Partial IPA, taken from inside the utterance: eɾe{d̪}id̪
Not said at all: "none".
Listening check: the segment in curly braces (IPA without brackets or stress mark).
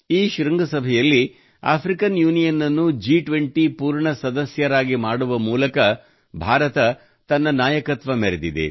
d̪